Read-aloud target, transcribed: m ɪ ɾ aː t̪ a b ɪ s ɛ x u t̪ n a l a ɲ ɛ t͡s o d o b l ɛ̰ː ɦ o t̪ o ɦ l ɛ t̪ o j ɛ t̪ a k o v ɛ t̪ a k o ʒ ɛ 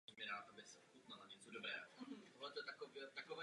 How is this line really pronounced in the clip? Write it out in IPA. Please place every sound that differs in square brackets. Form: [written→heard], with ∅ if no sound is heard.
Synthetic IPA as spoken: m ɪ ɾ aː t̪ a b ɪ s ɛ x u t̪ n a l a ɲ ɛ t͡s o d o b [l→ɾ] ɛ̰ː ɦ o t̪ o ɦ l ɛ t̪ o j ɛ t̪ a k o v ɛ t̪ a k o [ʒ→v] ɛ